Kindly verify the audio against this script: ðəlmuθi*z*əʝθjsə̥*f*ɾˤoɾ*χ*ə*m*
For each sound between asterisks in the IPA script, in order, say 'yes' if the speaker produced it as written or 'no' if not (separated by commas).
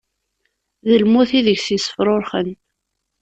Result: no, yes, yes, no